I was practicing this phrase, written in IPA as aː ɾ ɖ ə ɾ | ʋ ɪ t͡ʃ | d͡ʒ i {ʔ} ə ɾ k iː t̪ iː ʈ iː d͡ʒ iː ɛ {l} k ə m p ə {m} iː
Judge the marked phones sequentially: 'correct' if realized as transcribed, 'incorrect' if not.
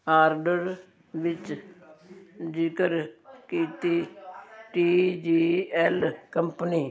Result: incorrect, correct, incorrect

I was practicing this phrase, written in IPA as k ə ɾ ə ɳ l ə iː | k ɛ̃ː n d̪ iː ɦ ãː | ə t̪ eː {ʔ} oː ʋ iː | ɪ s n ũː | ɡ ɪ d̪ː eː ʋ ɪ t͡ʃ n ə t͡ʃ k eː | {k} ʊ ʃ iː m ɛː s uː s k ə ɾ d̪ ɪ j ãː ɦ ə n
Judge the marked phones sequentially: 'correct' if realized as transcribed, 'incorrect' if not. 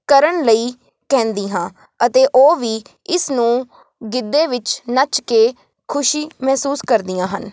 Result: correct, incorrect

